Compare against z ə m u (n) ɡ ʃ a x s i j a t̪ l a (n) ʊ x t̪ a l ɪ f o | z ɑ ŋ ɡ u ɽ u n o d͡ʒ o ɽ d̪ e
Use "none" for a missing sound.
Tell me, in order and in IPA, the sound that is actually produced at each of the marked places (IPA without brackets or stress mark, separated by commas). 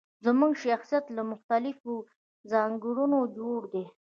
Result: ŋ, m